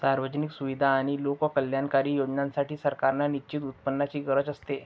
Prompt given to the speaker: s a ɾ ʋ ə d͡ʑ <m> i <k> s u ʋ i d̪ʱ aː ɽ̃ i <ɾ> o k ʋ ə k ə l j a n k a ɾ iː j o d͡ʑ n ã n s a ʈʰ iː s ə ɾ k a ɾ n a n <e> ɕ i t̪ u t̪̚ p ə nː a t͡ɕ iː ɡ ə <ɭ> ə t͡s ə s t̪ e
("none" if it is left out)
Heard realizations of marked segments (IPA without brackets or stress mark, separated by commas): n, k, l, i, ɾ